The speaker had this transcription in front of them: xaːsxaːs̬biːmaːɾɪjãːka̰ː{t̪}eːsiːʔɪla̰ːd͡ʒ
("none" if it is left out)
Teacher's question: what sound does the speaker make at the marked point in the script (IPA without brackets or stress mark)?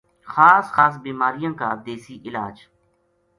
d̪